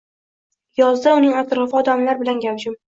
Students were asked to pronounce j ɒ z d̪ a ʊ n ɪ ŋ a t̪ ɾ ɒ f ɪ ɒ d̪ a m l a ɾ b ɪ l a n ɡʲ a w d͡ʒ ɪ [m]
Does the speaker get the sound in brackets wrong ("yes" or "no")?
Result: no